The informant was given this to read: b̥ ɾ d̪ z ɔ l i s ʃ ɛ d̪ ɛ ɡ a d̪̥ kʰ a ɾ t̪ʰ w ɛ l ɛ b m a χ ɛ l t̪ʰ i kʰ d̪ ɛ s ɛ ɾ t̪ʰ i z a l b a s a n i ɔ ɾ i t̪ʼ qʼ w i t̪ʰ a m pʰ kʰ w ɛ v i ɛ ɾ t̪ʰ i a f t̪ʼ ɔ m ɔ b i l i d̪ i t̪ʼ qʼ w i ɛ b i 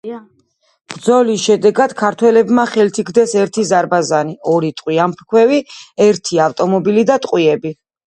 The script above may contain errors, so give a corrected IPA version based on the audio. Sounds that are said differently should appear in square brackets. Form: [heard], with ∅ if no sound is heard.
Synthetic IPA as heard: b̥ ɾ d̪ z ɔ l i s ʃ ɛ d̪ ɛ ɡ a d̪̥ kʰ a ɾ t̪ʰ w ɛ l ɛ b m a χ ɛ l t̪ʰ i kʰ d̪ ɛ s ɛ ɾ t̪ʰ i z a [ɾ] b a [z] a n i ɔ ɾ i t̪ʼ qʼ w i [∅] a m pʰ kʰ w ɛ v i ɛ ɾ t̪ʰ i a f t̪ʼ ɔ m ɔ b i l i d̪ [a] t̪ʼ qʼ w i ɛ b i